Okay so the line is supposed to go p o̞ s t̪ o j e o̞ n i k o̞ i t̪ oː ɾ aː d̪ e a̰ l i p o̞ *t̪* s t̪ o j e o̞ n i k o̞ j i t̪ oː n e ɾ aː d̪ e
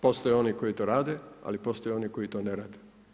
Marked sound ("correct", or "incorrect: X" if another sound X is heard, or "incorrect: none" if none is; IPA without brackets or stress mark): incorrect: none